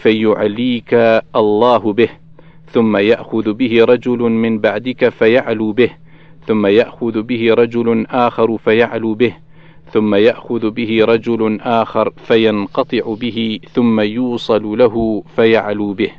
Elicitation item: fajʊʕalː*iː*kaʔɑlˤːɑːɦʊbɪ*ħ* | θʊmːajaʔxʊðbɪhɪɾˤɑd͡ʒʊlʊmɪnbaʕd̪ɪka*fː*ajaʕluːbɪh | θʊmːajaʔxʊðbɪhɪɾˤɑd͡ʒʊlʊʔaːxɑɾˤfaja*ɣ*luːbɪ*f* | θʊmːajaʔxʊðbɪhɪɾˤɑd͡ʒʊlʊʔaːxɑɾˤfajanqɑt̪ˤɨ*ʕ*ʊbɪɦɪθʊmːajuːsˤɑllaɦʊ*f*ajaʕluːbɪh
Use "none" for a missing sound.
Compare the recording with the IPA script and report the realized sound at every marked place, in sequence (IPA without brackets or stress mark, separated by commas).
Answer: iː, h, f, ʕ, h, ʕ, f